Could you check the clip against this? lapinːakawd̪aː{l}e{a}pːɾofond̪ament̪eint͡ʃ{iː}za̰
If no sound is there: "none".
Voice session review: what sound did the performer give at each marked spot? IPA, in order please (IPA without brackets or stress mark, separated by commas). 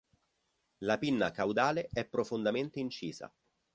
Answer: l, ɛ, iː